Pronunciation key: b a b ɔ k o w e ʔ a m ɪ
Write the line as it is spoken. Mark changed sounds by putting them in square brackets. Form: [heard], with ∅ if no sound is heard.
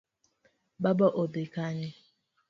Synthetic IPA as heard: b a b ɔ [ʔ] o [b] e [k] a [ɲ] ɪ